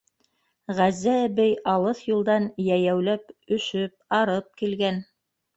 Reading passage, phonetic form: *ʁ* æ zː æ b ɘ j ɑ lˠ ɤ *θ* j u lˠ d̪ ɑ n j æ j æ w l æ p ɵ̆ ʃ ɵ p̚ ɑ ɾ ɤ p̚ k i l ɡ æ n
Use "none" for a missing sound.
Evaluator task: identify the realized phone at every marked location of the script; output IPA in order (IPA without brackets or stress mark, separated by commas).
ʁ, θ